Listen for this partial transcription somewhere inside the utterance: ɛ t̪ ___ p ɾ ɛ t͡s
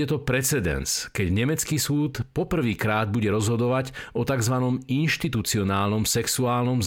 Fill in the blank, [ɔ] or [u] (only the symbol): ɔ